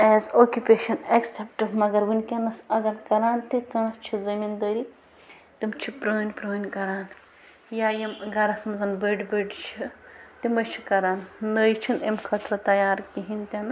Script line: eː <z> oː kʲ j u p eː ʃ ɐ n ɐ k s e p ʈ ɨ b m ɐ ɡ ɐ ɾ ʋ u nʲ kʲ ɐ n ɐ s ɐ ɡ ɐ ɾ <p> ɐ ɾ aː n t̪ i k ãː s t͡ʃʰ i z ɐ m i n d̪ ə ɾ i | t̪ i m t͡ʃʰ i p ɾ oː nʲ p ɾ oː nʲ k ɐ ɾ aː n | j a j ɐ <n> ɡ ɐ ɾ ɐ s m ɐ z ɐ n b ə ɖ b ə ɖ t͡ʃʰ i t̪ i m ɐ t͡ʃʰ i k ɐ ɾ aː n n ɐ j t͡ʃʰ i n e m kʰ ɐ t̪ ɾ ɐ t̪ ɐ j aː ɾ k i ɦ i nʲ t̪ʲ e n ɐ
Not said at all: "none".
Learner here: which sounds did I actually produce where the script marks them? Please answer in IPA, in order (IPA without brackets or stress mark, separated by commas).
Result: z, k, m